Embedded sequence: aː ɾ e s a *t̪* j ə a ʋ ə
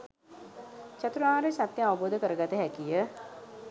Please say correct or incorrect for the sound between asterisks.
correct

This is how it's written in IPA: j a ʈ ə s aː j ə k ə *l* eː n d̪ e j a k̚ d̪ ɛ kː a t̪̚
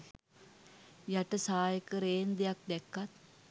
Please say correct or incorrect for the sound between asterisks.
incorrect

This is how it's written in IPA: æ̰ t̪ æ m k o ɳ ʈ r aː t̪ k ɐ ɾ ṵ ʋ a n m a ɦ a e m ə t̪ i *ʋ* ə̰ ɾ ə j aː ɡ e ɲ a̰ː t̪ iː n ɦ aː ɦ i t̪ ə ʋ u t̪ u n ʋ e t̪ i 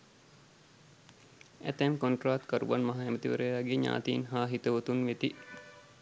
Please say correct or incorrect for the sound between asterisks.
correct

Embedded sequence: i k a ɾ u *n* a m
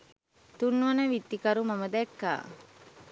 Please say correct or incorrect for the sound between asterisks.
incorrect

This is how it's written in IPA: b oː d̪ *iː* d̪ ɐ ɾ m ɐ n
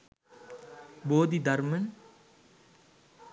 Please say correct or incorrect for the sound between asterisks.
incorrect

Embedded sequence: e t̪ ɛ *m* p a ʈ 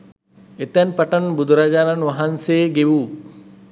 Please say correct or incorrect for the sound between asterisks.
incorrect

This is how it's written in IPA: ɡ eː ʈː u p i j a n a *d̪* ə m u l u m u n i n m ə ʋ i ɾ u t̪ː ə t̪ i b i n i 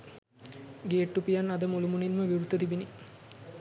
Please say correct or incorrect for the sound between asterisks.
correct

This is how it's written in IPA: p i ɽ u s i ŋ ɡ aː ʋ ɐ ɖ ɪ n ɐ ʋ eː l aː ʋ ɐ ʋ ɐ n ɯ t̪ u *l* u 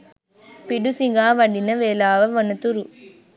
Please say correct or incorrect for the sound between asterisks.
incorrect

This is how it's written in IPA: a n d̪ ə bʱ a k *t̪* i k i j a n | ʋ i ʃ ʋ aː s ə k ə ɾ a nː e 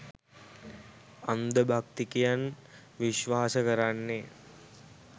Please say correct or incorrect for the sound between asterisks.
correct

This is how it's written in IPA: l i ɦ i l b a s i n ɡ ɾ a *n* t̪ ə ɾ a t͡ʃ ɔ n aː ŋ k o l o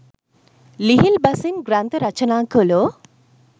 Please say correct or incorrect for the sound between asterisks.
correct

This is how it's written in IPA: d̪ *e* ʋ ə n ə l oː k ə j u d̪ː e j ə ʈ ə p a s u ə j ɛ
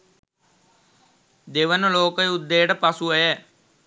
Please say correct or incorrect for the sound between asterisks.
correct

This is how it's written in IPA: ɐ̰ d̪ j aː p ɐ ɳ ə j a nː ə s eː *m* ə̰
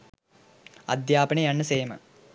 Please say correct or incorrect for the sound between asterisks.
correct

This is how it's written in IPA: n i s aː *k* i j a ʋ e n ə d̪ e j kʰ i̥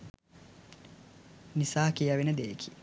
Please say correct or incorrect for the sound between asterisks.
correct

